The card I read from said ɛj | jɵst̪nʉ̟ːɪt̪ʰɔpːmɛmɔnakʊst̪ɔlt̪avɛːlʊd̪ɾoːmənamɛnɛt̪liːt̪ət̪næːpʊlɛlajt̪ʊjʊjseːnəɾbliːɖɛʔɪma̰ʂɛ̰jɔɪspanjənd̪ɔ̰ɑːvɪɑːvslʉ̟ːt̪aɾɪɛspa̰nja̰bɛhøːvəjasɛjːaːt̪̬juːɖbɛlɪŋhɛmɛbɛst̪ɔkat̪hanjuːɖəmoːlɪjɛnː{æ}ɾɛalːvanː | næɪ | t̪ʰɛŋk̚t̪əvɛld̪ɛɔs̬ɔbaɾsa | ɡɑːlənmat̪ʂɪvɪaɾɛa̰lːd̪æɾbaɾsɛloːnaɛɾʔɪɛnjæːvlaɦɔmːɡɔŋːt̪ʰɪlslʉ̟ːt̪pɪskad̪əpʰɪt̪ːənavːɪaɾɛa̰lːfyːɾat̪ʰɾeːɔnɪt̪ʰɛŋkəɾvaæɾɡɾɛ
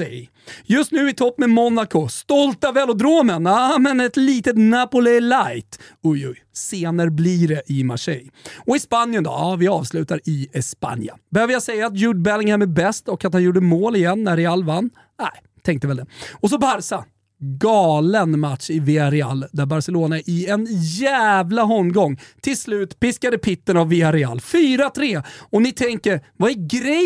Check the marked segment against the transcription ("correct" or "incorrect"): correct